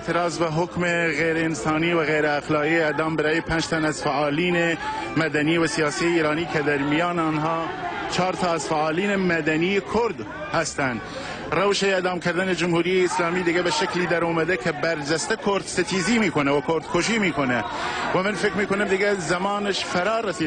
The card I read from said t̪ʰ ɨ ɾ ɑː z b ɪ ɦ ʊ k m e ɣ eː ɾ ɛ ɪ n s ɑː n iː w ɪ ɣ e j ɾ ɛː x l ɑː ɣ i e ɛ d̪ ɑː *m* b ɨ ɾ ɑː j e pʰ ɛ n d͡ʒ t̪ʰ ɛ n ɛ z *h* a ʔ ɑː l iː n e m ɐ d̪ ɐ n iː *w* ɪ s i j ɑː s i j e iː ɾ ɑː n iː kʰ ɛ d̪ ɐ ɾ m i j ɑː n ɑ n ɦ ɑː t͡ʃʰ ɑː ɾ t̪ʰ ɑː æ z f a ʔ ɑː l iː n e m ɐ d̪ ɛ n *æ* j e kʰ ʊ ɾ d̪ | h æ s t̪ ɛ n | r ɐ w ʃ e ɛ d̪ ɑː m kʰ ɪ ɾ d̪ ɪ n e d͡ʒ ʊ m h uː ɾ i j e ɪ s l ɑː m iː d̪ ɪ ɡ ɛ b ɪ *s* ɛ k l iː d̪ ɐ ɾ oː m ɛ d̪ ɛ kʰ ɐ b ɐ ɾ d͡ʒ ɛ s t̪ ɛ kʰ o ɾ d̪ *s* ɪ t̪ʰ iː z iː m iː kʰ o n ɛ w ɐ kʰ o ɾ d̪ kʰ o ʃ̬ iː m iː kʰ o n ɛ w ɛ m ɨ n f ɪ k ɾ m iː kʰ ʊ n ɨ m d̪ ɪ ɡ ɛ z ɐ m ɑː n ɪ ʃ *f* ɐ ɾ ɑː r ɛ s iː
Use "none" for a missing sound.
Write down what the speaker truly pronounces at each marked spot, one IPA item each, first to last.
m, f, w, i, ʃ, s, f

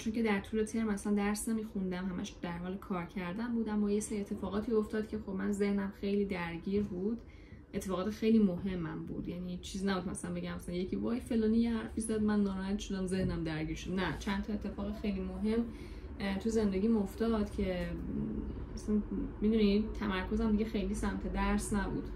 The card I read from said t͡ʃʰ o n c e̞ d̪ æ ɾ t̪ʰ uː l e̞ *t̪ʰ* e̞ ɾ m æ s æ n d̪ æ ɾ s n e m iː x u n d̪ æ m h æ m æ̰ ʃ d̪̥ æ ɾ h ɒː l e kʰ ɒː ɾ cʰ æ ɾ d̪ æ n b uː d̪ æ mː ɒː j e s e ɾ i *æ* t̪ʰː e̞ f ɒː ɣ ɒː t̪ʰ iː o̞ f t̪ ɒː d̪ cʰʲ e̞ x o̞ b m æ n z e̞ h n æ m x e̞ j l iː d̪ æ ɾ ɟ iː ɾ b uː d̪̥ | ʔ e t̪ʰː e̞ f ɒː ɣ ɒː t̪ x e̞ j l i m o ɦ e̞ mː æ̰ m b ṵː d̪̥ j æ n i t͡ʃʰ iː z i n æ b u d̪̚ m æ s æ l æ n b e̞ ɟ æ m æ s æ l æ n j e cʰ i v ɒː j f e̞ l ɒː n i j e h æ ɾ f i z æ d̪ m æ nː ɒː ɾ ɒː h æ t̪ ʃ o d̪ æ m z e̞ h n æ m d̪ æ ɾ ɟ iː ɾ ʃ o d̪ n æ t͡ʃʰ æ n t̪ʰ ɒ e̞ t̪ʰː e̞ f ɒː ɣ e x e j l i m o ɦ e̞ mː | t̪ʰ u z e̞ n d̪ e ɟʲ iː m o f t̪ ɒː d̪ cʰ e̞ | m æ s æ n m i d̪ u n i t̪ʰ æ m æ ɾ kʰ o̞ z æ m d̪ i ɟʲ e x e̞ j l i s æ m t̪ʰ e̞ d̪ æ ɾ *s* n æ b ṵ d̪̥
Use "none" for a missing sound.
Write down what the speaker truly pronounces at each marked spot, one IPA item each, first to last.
t̪ʰ, e, s

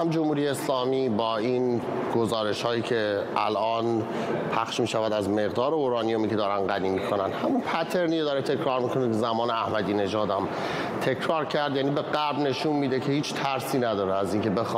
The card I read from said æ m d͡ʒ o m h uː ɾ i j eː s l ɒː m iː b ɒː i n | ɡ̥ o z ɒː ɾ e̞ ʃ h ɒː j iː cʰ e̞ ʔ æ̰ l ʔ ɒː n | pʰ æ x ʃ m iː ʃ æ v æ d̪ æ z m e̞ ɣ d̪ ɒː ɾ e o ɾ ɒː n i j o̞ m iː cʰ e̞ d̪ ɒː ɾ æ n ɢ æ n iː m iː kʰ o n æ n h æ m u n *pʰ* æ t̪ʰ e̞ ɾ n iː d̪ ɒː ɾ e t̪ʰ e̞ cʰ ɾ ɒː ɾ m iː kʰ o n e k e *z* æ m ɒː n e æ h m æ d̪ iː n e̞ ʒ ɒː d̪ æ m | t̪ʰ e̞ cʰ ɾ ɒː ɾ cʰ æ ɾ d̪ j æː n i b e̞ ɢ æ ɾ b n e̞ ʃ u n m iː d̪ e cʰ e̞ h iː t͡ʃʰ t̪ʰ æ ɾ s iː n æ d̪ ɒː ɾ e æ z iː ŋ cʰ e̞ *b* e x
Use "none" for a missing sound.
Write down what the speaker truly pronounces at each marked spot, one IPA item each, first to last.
pʰ, z, b

